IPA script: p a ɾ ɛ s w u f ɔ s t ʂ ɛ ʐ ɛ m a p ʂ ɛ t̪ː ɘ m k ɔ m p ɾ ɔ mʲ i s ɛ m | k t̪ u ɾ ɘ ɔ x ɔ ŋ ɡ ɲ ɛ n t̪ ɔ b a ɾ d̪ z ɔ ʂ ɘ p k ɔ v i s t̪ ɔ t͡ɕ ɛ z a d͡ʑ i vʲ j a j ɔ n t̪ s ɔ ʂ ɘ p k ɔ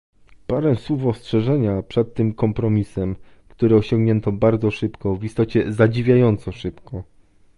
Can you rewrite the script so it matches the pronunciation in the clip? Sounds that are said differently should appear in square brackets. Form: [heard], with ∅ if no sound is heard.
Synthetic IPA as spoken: p a ɾ ɛ s w u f ɔ s t ʂ ɛ ʐ ɛ [ɲ] a p ʂ ɛ t̪ː ɘ m k ɔ m p ɾ ɔ mʲ i s ɛ m | k t̪ u ɾ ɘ ɔ [ɕ] ɔ ŋ ɡ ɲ ɛ n t̪ ɔ b a ɾ d̪ z ɔ ʂ ɘ p k ɔ v i s t̪ ɔ t͡ɕ ɛ z a d͡ʑ i vʲ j a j ɔ n t̪ s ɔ ʂ ɘ p k ɔ